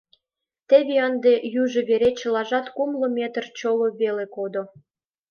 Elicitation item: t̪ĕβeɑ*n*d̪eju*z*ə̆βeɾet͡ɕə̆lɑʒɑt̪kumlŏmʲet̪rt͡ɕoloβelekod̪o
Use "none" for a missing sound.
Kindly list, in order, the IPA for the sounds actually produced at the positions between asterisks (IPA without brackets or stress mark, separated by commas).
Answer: n, ʒ